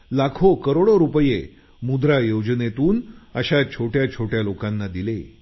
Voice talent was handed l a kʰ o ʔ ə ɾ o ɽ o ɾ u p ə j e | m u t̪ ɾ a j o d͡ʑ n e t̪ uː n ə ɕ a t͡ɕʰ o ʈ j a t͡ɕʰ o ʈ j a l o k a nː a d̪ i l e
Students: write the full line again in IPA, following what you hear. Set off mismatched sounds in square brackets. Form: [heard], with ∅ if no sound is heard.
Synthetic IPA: l a kʰ o [k] ə ɾ o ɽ o ɾ u p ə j e | m u [d̪] ɾ a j o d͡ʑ n e t̪ uː n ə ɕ a t͡ɕʰ o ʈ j a t͡ɕʰ o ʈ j a l o k a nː a d̪ i l e